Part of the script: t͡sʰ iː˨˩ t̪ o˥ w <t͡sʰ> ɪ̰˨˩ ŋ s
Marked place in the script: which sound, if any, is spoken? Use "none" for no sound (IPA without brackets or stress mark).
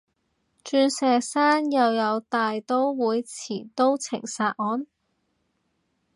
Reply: t͡sʰ